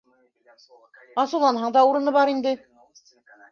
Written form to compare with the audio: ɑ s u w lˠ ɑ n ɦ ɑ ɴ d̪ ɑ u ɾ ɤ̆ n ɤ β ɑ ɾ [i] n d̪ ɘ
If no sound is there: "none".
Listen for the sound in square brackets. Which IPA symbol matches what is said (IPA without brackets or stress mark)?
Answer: i